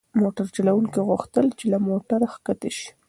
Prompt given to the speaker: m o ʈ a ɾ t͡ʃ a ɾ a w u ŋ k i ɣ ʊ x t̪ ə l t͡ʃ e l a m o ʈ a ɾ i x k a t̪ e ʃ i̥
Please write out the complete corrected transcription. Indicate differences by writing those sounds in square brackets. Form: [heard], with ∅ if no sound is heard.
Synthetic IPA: m o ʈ a ɾ t͡ʃ a [l] a w u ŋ k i ɣ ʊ x t̪ ə l t͡ʃ e l a m o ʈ a ɾ [a] x k a t̪ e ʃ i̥